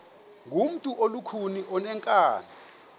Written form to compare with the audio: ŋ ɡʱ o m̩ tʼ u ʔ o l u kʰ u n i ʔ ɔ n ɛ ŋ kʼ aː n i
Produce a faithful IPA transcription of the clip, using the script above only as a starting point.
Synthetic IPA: ŋ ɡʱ u m̩ tʼ u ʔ o l u kʰ u n i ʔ ɔ n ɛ ŋ kʼ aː n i

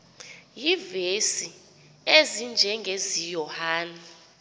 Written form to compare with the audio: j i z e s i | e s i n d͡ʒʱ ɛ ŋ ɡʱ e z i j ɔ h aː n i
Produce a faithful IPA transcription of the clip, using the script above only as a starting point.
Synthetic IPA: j i v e s i | e z i n d͡ʒʱ ɛ ŋ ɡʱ e z i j ɔ h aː n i

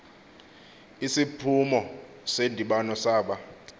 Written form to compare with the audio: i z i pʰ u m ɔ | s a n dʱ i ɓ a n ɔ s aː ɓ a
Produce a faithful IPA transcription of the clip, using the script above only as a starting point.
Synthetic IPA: i s i pʰ u m ɔ | s e n dʱ i ɓ a n ɔ s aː ɓ a

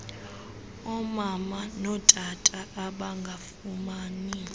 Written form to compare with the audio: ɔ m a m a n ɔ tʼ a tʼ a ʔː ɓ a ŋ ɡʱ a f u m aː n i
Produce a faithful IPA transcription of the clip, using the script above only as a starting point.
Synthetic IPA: ɔ m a m a n ɔ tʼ a tʼ a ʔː ɓ a ŋ ɡʱ a f u m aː n i

